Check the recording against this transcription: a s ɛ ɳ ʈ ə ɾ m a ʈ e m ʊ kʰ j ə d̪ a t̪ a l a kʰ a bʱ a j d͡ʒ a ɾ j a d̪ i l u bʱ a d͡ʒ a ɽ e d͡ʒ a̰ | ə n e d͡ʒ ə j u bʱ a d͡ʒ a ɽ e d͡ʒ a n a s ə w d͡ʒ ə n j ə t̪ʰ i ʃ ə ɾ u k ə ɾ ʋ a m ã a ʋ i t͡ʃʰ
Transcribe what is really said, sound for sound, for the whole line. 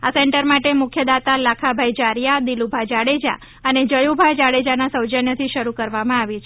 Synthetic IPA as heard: a s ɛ ɳ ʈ ə ɾ m a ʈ e m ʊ kʰ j ə d̪ a t̪ a l a kʰ a bʱ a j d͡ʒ a ɾ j a d̪ i l u bʱ a d͡ʒ a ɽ e d͡ʒ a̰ | ə n e d͡ʒ ə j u bʱ a d͡ʒ a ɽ e d͡ʒ a n a s ə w d͡ʒ ə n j ə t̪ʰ i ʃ ə ɾ u k ə ɾ ʋ a m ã a ʋ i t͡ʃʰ